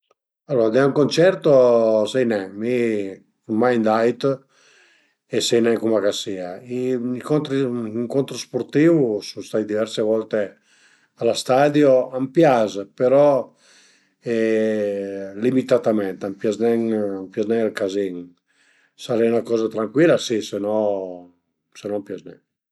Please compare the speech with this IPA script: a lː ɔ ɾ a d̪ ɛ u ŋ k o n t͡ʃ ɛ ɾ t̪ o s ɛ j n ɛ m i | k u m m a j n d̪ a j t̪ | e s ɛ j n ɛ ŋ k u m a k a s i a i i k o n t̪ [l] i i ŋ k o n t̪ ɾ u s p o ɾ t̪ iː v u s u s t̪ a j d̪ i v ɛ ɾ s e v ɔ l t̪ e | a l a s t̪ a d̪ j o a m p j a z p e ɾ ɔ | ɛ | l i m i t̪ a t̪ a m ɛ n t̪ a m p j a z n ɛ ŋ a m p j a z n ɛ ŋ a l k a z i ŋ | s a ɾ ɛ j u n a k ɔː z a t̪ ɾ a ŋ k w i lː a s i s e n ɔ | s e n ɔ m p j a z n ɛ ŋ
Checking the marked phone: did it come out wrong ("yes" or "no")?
yes